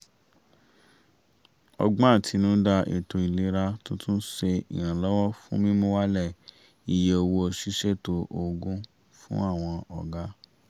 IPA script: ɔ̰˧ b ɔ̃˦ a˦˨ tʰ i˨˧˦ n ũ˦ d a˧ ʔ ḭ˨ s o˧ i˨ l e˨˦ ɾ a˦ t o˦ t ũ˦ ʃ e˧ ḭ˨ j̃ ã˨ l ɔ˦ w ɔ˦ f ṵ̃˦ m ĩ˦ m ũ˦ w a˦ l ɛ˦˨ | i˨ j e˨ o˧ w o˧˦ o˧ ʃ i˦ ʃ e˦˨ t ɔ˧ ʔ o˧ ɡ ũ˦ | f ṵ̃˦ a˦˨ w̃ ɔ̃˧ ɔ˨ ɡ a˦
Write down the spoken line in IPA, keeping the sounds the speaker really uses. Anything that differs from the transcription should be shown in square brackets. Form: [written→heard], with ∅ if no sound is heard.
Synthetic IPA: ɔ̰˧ [b→ɡ͡b] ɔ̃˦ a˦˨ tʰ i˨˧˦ n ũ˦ d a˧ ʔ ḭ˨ [s→t] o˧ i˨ l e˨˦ ɾ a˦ t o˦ t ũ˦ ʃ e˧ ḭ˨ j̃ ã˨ l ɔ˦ w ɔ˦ f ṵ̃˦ m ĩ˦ m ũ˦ w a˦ l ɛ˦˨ | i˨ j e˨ o˧ w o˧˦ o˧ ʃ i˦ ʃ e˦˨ t [ɔ˧→o˧] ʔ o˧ ɡ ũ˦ | f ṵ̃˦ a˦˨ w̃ ɔ̃˧ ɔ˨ ɡ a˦